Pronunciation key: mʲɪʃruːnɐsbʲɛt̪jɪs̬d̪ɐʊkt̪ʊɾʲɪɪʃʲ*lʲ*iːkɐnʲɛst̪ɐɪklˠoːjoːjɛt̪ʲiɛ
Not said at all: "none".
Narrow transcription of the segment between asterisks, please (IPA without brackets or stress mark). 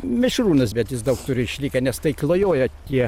lʲ